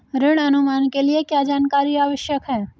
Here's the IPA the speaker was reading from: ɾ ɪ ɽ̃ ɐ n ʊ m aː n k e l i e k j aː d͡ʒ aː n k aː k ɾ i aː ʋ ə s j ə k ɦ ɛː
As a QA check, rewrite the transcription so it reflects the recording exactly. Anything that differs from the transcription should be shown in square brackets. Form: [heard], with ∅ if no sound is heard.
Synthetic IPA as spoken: ɾ ɪ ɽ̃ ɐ n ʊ m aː n k e l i e k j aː d͡ʒ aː n k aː [∅] ɾ i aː ʋ ə [ʃ] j ə k ɦ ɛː